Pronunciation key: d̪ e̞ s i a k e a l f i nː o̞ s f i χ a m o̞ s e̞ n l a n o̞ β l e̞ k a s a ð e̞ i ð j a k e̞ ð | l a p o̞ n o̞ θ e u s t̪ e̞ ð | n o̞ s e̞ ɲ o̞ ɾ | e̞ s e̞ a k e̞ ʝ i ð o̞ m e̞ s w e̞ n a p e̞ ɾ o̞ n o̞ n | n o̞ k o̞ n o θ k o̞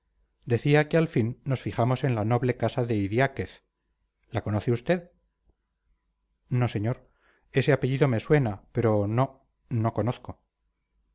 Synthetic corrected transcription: d̪ e̞ θ i a k e a l f i nː o̞ s f i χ a m o̞ s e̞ n l a n o̞ β l e̞ k a s a ð e̞ i ð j a k e̞ θ | l a k o̞ n o̞ θ e u s t̪ e̞ ð | n o̞ s e̞ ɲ o̞ ɾ | e̞ s e̞ a p e̞ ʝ i ð o̞ m e̞ s w e̞ n a p e̞ ɾ o̞ n o̞ | n o̞ k o̞ n o θ k o̞